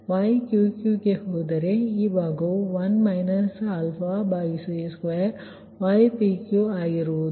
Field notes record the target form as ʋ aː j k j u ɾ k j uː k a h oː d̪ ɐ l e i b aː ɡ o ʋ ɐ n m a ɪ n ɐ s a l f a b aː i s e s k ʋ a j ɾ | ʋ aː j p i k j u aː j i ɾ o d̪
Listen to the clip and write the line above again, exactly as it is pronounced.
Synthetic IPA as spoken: ʋ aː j k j u k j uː k e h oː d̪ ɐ ɾ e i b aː ɡ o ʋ ɐ n m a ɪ n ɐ s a l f a b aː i s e s k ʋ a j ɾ | ʋ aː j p i k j u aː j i ɾ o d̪